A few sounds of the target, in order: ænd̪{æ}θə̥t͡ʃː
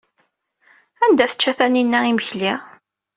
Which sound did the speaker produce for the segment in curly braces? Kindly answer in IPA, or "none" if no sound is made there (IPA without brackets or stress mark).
æ